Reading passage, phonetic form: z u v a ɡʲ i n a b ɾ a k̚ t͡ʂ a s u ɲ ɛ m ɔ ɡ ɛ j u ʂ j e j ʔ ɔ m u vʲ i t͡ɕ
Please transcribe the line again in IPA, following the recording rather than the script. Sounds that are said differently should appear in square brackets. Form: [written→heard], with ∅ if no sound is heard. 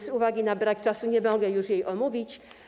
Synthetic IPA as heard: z u v a ɡʲ i n a b ɾ a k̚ t͡ʂ a s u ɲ ɛ m ɔ ɡ ɛ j u ʂ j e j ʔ ɔ m u vʲ i t͡ɕ